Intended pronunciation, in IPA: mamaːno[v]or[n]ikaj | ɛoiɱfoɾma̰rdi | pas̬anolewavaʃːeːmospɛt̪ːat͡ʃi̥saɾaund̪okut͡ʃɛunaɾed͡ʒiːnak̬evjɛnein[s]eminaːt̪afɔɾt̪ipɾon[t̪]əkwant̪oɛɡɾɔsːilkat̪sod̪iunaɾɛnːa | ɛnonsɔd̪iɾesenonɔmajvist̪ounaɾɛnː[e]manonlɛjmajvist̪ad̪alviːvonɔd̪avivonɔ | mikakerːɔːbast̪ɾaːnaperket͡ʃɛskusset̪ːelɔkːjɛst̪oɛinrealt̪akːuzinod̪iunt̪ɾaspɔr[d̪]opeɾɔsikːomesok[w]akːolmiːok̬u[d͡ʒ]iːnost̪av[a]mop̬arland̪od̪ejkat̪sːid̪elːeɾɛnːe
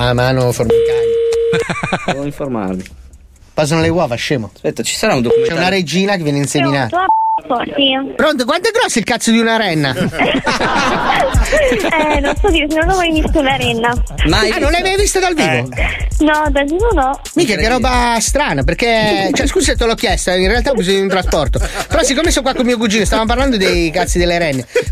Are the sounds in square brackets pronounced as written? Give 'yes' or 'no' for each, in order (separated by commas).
no, no, yes, yes, no, no, yes, yes, yes